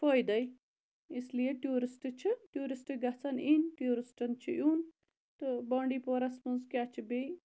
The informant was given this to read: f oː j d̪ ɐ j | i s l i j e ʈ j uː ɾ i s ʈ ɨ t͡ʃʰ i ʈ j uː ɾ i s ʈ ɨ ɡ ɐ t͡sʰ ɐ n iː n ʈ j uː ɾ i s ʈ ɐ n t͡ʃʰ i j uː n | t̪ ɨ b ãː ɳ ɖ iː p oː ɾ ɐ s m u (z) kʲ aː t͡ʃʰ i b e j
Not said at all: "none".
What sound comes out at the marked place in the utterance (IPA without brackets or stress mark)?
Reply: z